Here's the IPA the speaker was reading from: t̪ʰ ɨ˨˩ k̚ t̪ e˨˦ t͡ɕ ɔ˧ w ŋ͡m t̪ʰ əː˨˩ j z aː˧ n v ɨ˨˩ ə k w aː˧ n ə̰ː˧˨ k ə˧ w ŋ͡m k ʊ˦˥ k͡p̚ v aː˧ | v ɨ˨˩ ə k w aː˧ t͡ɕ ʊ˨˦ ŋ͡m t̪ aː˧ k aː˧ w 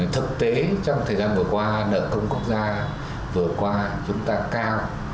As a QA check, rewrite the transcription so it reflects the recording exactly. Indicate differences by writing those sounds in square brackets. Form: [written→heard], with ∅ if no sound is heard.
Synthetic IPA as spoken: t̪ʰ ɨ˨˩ k̚ t̪ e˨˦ t͡ɕ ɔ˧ w ŋ͡m t̪ʰ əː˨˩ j z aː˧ n v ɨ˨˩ ə k w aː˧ n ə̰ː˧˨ k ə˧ w ŋ͡m k ʊ˦˥ k͡p̚ [v→z] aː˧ | v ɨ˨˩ ə k w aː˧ t͡ɕ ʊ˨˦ ŋ͡m t̪ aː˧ k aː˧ w

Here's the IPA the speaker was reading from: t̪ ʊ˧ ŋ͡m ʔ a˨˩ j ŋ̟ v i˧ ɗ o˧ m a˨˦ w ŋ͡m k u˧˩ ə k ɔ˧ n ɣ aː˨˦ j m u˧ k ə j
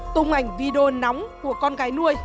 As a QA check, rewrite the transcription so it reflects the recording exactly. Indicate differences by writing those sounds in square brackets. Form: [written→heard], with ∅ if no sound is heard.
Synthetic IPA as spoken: t̪ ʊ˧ ŋ͡m ʔ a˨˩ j ŋ̟ v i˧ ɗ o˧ [m→n] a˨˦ w ŋ͡m k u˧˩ ə k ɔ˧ n ɣ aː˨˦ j [m→n] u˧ [k→∅] ə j

